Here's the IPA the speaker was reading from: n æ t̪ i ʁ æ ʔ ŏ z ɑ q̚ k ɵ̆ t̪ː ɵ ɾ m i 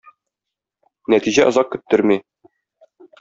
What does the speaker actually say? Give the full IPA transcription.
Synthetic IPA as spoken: n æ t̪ i ʑ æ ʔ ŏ z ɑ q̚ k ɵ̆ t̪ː ɵ ɾ m i